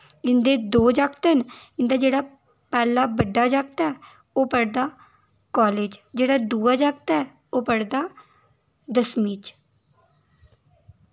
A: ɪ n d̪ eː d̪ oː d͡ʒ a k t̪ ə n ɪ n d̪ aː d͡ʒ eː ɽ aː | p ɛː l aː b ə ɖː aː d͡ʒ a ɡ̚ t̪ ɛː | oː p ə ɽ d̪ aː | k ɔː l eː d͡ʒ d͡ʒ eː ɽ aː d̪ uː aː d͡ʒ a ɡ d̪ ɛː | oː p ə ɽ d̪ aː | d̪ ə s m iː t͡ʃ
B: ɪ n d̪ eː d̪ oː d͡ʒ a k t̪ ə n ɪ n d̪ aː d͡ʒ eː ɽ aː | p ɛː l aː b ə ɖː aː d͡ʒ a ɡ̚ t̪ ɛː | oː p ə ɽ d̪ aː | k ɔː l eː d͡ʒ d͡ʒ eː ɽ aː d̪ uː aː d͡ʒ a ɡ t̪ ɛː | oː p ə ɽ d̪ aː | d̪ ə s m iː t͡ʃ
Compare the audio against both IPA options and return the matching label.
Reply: B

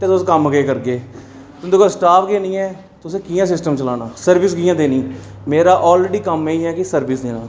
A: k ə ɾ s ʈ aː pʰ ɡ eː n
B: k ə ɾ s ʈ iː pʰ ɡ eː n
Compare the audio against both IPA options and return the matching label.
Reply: A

